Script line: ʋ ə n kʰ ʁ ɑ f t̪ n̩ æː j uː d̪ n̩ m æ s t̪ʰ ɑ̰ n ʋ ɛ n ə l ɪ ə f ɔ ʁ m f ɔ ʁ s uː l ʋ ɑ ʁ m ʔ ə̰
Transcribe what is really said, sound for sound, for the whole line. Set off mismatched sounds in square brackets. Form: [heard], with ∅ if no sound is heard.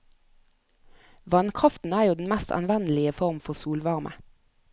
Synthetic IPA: ʋ [ɑ] n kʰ ʁ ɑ f t̪ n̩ æː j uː d̪ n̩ m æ s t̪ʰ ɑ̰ n ʋ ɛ n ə l ɪ ə f ɔ ʁ m f ɔ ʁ s uː l ʋ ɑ ʁ m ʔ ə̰